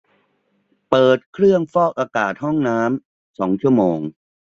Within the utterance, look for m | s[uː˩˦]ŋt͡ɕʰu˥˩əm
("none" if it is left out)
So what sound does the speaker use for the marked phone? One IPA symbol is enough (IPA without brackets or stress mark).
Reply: ɔː˩˦